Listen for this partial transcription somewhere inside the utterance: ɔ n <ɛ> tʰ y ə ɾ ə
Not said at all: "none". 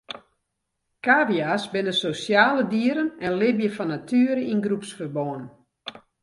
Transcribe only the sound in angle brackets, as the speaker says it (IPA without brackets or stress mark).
a